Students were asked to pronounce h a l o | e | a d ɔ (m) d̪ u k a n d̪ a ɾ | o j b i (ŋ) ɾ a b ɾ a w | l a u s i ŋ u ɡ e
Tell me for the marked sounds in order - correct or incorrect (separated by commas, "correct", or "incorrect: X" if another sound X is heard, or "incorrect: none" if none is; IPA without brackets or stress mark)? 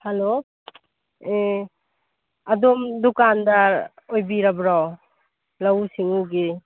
correct, incorrect: none